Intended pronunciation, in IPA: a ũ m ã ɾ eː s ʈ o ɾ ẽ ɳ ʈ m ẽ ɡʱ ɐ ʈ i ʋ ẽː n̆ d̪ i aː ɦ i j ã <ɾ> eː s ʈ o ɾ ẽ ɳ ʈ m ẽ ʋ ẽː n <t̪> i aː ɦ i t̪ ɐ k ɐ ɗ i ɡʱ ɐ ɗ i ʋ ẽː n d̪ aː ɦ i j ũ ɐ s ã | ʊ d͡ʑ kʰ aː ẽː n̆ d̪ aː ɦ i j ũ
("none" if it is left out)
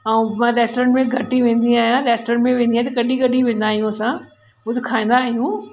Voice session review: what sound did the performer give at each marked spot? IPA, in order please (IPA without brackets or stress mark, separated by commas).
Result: ɾ, d̪